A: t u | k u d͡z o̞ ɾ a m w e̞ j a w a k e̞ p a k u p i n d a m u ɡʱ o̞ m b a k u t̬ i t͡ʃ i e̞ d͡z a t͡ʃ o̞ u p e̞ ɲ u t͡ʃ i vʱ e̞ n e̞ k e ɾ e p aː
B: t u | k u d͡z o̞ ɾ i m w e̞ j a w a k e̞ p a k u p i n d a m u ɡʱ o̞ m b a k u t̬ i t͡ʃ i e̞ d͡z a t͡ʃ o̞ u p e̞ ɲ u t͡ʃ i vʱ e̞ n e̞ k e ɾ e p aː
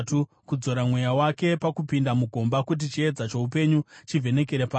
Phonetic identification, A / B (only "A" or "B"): A